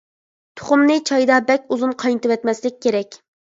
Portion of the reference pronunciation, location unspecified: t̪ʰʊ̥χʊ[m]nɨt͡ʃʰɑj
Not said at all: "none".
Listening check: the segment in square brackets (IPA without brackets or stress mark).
m